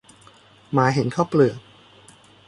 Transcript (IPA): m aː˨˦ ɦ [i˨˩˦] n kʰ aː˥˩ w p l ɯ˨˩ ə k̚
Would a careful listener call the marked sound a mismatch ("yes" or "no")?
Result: yes